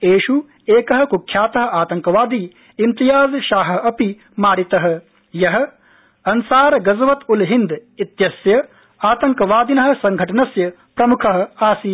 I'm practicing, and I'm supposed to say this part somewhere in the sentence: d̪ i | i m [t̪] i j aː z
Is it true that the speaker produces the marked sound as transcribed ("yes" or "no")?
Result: yes